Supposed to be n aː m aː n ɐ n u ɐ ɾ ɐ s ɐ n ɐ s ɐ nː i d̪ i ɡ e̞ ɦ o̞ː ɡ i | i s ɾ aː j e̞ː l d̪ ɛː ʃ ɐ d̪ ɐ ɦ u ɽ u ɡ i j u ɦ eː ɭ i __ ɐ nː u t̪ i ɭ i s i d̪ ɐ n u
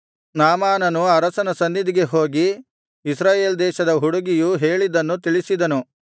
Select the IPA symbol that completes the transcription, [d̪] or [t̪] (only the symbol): d̪